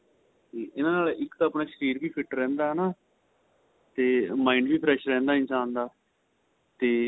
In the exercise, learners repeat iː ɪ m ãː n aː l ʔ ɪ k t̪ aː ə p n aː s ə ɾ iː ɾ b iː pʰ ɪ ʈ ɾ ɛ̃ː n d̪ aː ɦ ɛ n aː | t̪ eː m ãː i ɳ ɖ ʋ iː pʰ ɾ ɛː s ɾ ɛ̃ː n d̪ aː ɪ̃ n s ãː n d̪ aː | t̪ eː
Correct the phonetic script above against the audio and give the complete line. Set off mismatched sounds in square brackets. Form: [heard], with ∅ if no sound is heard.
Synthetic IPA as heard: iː ɪ [n] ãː n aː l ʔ ɪ k t̪ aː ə p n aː [ʃ] ə ɾ iː ɾ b iː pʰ ɪ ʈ ɾ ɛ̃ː n d̪ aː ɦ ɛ n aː | t̪ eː m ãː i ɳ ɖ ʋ iː pʰ ɾ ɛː [ʃ] ɾ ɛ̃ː n d̪ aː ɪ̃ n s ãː n d̪ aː | t̪ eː